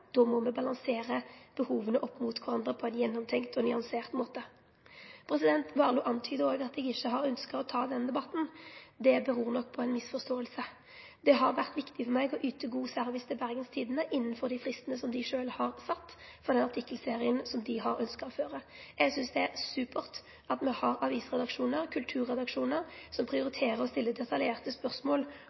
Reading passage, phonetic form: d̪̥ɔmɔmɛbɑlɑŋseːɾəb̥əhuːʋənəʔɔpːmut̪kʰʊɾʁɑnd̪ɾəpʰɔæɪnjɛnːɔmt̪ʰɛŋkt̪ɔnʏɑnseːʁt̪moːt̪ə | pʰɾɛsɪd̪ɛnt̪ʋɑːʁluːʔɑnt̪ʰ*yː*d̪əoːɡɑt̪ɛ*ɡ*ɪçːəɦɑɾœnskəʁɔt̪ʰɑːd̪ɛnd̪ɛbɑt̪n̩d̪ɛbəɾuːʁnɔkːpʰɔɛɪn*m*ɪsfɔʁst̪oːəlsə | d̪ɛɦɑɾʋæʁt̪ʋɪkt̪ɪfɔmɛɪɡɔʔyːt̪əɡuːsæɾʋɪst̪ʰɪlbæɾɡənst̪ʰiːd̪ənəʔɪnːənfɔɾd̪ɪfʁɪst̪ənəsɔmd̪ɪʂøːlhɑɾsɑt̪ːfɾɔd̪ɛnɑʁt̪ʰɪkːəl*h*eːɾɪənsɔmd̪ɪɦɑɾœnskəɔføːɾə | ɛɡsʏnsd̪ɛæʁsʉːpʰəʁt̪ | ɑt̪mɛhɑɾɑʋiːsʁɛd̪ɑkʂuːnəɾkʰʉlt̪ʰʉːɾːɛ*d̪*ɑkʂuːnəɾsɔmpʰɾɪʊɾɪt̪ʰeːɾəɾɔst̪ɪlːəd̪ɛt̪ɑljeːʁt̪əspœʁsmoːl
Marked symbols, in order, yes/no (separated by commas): yes, yes, yes, no, yes